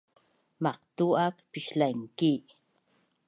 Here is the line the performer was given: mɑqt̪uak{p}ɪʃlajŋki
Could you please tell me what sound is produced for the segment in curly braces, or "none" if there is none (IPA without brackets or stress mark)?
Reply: p